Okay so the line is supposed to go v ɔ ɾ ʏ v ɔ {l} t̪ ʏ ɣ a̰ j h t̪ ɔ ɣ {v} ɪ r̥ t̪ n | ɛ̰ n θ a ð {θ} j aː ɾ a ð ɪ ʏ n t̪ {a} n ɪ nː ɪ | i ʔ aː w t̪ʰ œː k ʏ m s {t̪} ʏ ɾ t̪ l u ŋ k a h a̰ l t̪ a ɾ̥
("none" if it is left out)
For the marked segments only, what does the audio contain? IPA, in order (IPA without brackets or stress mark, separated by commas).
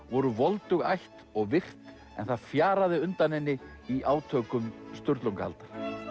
l, v, f, a, t̪